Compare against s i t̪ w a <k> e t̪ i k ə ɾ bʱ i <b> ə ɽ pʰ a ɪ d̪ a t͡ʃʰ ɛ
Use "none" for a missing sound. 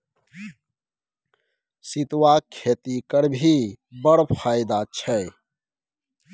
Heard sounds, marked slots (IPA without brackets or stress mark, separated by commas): kʰ, b